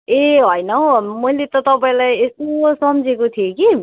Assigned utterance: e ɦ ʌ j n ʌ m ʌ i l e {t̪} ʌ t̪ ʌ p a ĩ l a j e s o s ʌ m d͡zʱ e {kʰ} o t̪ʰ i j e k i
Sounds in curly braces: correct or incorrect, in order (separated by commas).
correct, incorrect